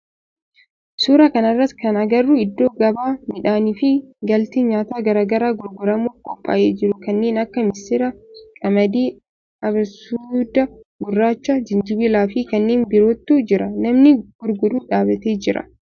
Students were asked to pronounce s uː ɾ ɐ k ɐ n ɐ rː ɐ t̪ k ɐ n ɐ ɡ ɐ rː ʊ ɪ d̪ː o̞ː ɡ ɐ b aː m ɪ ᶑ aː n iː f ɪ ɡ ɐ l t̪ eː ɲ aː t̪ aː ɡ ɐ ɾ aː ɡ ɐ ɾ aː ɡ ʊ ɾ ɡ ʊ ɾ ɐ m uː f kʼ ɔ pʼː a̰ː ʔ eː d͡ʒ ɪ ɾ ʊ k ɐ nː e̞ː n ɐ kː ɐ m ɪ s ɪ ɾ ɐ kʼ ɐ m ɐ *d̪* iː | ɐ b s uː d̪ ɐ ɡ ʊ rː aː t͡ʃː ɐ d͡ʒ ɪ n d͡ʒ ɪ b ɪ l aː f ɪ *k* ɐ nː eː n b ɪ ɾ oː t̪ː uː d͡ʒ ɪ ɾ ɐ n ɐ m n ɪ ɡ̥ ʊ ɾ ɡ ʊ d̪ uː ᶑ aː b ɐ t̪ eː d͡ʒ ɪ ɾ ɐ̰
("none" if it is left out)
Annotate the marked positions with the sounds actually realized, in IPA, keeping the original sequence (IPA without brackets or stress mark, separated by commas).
d̪, k